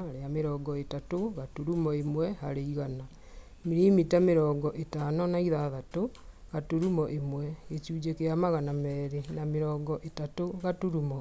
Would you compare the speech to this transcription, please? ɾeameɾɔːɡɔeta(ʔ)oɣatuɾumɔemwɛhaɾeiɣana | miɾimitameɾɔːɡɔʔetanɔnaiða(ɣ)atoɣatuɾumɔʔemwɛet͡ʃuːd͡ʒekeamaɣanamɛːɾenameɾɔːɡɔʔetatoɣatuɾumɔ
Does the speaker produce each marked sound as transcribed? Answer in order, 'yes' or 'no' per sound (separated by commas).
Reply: no, no